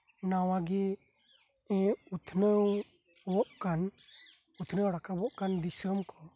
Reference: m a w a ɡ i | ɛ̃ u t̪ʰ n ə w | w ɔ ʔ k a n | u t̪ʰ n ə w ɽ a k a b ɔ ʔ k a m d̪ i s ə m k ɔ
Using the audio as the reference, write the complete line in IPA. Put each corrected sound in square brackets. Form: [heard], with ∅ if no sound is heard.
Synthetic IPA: [n] a w a ɡ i | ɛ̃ u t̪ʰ n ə w | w ɔ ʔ k a n | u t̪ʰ n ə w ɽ a k a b ɔ ʔ k a [n] d̪ i s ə m k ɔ